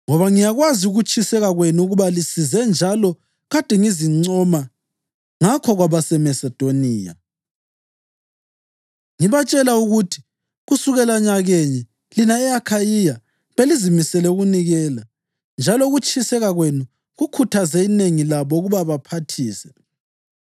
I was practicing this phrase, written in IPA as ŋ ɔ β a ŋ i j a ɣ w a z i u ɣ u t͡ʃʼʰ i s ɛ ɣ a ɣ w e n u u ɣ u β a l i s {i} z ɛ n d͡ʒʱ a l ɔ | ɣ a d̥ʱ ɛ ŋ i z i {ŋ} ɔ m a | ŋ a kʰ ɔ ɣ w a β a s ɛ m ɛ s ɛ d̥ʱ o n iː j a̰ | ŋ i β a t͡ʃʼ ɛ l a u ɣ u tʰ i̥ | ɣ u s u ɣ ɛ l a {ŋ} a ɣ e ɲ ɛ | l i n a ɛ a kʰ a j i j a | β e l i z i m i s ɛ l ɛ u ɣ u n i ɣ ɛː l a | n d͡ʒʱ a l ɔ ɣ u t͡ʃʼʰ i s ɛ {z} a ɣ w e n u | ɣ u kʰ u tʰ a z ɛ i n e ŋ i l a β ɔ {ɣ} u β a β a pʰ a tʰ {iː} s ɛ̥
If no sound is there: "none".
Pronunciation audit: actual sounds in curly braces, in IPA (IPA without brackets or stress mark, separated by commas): i, ŋ͡ǀ, ɲ, ɣ, ɣ, iː